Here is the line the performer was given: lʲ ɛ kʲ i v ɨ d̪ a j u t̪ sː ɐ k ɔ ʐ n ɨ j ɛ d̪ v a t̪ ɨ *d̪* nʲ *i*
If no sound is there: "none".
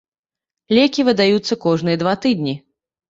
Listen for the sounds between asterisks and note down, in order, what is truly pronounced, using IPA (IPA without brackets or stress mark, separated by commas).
d̪, i